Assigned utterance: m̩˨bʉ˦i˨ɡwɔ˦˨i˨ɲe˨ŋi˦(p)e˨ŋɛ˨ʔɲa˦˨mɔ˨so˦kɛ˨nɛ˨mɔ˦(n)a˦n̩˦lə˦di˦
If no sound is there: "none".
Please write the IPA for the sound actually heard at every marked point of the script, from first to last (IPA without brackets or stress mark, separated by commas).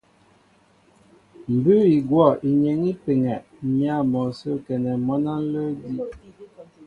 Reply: p, n